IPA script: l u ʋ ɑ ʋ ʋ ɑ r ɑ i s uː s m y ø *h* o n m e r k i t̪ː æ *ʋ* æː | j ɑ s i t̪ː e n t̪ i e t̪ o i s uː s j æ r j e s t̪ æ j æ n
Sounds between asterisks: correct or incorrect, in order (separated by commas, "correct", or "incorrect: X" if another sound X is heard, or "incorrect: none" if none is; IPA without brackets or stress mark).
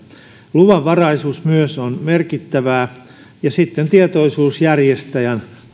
incorrect: s, correct